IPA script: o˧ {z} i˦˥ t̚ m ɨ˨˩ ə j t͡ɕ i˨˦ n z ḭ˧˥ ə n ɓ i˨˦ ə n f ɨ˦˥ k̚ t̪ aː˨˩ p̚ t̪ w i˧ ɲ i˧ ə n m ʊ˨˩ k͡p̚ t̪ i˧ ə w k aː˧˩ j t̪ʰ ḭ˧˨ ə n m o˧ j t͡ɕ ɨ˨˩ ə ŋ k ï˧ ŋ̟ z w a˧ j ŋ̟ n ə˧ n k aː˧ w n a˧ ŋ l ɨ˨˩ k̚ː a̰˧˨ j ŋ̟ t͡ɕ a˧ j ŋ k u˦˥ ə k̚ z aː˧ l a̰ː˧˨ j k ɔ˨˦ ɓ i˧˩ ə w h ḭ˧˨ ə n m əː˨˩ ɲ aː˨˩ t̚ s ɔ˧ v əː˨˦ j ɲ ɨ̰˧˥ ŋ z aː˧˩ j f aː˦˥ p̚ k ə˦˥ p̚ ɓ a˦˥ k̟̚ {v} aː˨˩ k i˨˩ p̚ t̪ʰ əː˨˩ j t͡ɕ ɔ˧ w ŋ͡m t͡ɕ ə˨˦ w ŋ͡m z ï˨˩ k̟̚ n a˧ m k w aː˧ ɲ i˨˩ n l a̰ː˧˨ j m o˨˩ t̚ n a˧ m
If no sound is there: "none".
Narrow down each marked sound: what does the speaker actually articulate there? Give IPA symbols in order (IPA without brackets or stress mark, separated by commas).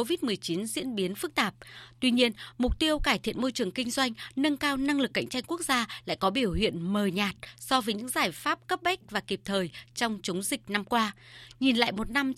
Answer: v, v